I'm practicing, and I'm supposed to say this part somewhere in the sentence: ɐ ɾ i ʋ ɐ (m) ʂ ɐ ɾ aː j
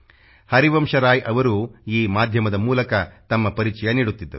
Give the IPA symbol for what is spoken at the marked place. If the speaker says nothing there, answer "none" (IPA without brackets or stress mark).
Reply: m